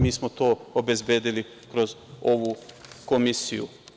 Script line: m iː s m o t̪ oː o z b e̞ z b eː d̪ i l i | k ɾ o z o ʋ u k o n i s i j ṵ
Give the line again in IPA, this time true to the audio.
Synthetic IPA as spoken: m iː s m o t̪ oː o b e̞ z b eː d̪ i l i | k ɾ o z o ʋ u k o m i s i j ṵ